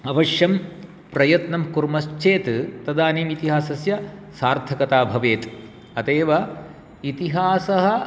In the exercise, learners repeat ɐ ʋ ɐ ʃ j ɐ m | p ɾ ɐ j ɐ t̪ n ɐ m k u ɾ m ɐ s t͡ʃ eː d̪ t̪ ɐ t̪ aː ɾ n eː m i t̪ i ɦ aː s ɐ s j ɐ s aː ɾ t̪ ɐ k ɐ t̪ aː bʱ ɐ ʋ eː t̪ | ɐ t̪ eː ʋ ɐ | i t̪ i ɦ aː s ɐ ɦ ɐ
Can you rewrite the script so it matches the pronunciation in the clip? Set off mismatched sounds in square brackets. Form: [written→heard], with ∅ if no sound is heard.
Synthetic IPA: ɐ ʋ ɐ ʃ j ɐ m | p ɾ ɐ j ɐ t̪ n ɐ m k u ɾ m ɐ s t͡ʃ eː [d̪→t̪] t̪ ɐ [t̪→d̪] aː [ɾ→∅] n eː m i t̪ i ɦ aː s ɐ s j ɐ s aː ɾ [t̪→t̪ʰ] ɐ k ɐ t̪ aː bʱ ɐ ʋ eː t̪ | ɐ t̪ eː ʋ ɐ | i t̪ i ɦ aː s ɐ ɦ ɐ